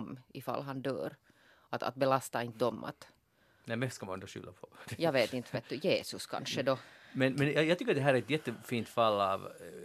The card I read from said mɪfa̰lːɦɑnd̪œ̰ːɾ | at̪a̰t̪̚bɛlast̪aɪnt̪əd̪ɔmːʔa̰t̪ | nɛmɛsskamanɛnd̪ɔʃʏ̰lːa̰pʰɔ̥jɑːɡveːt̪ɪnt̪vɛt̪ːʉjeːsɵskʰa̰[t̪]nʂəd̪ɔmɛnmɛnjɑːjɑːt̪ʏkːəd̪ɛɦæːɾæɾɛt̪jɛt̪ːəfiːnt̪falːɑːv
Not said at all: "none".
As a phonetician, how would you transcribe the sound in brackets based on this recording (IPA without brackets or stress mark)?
none